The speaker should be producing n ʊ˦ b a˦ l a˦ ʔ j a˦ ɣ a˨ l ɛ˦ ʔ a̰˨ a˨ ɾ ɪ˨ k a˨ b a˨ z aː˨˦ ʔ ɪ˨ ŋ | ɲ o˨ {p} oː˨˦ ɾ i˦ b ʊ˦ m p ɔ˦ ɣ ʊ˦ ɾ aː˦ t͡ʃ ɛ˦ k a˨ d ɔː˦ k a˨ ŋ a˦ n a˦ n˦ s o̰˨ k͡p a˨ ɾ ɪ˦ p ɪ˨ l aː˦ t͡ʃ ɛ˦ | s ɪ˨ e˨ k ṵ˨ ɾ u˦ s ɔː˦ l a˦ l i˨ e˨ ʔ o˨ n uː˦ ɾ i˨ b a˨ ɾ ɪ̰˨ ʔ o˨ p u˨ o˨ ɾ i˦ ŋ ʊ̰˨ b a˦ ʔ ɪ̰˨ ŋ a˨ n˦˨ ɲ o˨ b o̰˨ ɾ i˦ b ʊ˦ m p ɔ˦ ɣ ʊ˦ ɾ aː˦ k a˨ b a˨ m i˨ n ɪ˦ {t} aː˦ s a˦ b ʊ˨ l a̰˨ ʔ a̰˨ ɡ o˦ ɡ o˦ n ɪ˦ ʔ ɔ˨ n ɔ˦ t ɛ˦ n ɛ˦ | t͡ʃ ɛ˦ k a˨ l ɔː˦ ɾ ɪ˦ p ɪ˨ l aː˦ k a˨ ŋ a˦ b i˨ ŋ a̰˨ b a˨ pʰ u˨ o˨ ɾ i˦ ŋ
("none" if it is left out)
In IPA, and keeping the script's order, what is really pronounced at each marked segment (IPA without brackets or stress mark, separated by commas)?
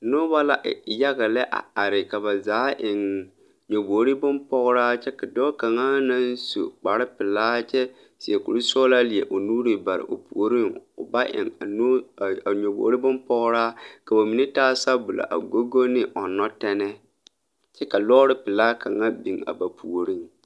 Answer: b, t